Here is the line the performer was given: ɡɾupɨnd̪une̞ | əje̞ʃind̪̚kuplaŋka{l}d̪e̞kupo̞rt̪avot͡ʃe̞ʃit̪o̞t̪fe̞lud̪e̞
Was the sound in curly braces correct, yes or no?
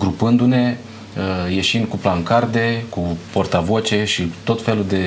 no